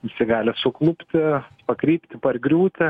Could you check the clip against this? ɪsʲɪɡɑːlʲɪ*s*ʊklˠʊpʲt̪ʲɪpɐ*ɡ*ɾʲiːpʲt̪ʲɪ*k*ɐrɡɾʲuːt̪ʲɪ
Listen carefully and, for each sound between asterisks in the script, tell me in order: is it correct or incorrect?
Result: correct, incorrect: k, incorrect: p

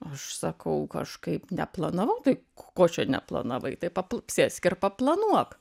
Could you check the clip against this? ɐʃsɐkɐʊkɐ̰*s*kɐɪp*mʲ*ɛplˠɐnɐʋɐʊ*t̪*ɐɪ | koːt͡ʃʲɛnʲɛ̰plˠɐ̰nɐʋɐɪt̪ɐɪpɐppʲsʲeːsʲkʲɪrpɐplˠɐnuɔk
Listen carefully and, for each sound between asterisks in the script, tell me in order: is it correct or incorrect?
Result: incorrect: ʃ, incorrect: nʲ, correct

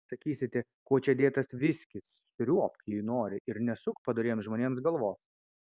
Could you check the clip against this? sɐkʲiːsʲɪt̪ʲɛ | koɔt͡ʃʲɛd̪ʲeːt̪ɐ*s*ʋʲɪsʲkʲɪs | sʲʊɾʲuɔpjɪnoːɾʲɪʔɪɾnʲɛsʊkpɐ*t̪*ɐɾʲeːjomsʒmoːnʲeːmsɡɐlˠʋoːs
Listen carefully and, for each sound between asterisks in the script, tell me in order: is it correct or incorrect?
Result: correct, incorrect: d̪

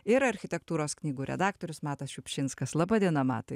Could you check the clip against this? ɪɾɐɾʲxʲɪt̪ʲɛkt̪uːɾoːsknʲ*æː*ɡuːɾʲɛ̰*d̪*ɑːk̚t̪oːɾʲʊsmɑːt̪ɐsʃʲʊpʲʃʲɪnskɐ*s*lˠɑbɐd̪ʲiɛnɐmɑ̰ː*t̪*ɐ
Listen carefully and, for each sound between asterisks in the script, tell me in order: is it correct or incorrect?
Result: incorrect: iː, correct, correct, correct

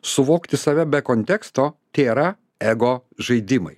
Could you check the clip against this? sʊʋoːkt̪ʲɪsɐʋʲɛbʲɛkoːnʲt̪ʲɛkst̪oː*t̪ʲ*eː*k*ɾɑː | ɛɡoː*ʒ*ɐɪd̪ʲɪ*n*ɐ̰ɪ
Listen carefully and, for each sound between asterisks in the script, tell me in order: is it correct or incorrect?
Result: correct, incorrect: none, correct, incorrect: m

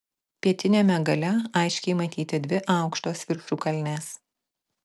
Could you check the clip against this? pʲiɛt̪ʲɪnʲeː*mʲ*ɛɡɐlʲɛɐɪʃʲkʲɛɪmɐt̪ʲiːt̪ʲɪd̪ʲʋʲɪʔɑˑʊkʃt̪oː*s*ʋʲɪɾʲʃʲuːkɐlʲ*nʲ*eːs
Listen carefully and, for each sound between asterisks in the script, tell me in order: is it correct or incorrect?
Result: correct, correct, correct

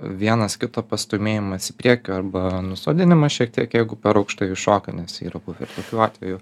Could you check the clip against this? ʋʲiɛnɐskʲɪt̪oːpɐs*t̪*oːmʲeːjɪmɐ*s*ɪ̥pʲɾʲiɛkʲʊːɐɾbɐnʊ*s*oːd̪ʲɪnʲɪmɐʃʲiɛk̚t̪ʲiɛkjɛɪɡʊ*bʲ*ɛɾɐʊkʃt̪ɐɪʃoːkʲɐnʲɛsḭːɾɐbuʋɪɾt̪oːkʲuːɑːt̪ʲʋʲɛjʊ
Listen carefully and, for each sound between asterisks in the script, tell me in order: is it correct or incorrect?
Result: correct, correct, correct, incorrect: pʲ

